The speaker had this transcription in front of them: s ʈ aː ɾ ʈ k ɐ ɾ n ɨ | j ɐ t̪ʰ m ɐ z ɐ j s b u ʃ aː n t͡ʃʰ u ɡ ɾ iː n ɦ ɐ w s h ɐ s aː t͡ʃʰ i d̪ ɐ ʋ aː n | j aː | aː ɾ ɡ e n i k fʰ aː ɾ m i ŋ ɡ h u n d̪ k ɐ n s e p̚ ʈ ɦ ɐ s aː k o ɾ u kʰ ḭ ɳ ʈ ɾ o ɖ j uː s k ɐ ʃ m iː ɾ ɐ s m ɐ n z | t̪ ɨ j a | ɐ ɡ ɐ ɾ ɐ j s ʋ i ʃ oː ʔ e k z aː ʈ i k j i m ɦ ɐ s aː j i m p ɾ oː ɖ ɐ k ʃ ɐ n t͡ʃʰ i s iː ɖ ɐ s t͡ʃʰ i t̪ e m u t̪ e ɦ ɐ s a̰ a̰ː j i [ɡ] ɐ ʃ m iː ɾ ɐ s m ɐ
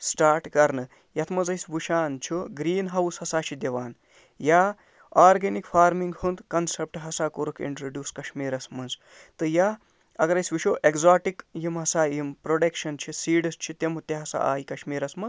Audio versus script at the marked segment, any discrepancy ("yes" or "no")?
yes